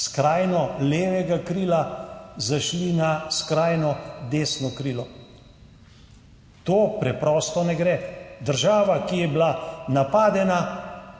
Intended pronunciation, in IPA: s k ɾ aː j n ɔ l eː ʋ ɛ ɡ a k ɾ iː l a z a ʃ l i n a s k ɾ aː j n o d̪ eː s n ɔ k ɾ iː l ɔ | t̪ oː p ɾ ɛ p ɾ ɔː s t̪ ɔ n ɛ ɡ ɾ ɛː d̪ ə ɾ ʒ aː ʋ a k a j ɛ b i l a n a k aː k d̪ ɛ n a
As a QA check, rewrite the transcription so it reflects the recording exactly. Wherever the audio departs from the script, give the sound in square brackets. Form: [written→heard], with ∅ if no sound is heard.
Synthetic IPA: s k ɾ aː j n ɔ l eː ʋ ɛ ɡ a k ɾ iː l a z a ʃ l i n a s k ɾ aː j n [o→ɔ] d̪ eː s n ɔ k ɾ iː l ɔ | t̪ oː p ɾ ɛ p ɾ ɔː s t̪ ɔ n ɛ ɡ ɾ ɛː d̪ ə ɾ ʒ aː ʋ a k [a→i] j ɛ b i l a n a [k→p] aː [k→∅] d̪ ɛ n a